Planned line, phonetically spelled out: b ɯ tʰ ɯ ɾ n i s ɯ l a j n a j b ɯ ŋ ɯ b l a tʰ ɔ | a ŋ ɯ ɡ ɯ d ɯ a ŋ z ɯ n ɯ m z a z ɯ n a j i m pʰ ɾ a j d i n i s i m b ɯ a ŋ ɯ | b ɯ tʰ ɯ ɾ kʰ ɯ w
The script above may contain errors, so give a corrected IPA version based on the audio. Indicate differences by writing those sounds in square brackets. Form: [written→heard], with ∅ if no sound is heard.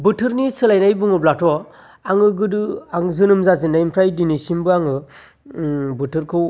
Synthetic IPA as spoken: b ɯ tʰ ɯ ɾ n i s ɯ l a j n a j b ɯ ŋ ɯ b l a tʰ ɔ | a ŋ ɯ ɡ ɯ d ɯ a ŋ z ɯ n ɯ m z a z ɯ n a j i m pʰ ɾ a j d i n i s i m b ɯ a ŋ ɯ | b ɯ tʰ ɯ ɾ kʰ ɯ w